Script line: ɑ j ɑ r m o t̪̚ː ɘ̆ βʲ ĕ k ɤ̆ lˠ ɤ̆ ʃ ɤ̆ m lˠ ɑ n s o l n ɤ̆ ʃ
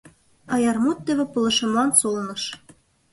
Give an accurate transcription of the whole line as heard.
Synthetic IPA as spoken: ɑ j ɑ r m u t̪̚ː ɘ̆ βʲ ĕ p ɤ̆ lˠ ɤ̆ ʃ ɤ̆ m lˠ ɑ n s o l n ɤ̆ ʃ